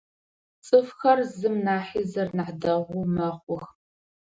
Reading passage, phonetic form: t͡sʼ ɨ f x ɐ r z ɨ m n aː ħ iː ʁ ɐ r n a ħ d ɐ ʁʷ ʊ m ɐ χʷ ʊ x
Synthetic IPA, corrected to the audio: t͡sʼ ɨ f x ɐ r z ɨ m n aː ħ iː z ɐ r n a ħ d ɐ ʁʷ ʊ m ɐ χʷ ʊ x